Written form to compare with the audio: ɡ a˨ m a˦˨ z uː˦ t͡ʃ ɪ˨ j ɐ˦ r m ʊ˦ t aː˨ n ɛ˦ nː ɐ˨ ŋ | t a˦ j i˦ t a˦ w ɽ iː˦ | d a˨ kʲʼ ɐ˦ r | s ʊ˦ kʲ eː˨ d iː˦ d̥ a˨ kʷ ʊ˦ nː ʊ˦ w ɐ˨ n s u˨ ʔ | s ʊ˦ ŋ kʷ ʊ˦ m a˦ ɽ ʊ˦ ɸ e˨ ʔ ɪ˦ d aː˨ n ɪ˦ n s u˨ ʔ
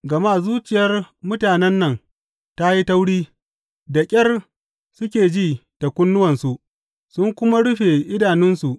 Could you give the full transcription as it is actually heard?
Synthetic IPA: ɡ ɐ˨ m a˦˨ z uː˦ t͡ʃ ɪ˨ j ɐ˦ r m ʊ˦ t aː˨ n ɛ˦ nː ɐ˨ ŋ | t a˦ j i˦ t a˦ w ɽ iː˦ | d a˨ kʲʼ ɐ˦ r | s ʊ˦ kʲ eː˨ d͡ʒ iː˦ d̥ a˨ kʷ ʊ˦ nː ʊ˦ w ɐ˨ n s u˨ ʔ | s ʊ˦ ŋ kʷ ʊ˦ m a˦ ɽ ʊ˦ ɸ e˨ ʔ ɪ˦ d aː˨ n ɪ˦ n s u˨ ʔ